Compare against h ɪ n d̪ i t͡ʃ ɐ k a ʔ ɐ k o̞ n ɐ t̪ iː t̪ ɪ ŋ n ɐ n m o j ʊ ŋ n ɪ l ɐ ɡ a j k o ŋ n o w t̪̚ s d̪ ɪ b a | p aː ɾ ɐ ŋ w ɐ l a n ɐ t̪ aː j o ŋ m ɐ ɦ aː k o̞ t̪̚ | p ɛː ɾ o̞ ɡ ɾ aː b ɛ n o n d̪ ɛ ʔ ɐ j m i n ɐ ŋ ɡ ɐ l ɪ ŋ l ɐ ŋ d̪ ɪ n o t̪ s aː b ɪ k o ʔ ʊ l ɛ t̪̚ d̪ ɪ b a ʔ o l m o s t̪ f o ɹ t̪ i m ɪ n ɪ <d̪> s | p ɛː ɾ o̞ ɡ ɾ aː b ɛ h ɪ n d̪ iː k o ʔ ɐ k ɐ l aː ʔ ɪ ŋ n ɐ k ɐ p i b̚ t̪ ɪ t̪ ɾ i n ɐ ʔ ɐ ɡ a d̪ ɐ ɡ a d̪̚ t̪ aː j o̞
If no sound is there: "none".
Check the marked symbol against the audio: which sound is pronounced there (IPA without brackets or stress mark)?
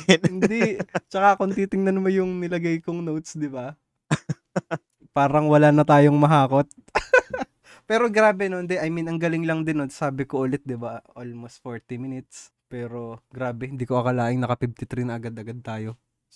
t̪